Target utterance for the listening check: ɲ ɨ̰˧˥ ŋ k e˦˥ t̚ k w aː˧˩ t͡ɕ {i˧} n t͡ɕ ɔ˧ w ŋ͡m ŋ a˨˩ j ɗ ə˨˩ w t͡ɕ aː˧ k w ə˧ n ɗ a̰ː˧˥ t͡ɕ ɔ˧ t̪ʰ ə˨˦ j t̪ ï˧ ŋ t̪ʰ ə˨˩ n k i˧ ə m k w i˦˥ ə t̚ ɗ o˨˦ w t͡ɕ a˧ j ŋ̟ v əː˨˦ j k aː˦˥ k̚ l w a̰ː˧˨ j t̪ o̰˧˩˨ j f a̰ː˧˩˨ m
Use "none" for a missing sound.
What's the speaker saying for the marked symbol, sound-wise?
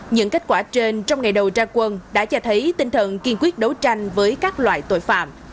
e˧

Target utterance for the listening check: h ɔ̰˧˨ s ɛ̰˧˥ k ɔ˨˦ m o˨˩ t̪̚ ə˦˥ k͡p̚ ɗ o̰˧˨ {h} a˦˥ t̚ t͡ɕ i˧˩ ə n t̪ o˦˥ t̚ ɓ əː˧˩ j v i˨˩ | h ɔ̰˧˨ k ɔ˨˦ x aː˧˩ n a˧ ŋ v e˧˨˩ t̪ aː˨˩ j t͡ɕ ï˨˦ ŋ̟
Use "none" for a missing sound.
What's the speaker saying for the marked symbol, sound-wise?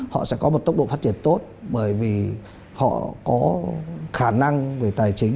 f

